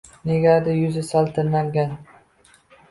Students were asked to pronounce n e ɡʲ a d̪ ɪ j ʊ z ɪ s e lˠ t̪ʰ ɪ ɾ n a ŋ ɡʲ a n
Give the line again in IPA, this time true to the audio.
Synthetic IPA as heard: n e ɡʲ a d̪ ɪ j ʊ z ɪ s a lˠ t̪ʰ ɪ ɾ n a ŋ ɡʲ a n